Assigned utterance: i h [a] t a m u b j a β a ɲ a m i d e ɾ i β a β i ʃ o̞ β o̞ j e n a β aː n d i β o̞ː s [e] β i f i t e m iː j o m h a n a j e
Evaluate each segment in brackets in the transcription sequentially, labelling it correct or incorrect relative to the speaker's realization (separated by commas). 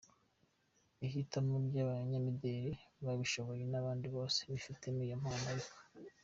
incorrect, correct